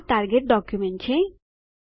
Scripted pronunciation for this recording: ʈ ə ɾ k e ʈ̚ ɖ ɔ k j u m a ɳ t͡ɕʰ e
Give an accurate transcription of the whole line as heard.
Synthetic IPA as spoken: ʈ a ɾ ɡ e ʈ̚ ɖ ɔ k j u m e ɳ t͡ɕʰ e